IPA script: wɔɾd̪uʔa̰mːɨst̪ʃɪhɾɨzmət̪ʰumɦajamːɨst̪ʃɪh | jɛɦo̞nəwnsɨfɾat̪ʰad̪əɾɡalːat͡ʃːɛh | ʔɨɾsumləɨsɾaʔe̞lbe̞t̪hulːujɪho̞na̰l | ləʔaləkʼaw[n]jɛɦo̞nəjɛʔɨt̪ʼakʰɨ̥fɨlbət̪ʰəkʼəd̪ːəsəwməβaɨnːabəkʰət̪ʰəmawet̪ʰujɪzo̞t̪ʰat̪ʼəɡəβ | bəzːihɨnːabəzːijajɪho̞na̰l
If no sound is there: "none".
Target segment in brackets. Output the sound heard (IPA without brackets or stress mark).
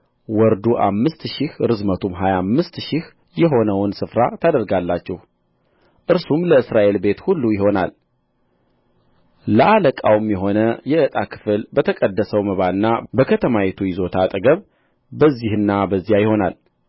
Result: m